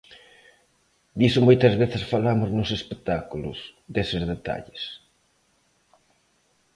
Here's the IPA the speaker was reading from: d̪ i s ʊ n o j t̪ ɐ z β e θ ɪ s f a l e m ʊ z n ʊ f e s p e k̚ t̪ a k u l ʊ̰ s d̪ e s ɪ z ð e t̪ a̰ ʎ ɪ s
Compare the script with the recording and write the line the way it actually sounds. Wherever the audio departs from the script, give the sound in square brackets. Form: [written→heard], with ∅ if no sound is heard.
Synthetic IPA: d̪ i s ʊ [n→m] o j t̪ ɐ z β e θ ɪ s f a l [e→a] m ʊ z n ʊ [f→s] e s p e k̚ t̪ a k u l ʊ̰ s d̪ e s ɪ z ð e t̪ a̰ ʎ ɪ s